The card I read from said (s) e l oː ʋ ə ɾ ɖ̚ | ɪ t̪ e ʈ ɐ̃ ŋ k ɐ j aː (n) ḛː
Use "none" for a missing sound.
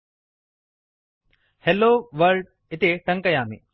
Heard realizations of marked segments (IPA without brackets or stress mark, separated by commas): h, m